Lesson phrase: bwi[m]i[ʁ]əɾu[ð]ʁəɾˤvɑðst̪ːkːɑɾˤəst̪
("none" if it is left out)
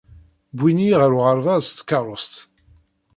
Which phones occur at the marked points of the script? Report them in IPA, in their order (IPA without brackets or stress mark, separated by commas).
n, ʁ, none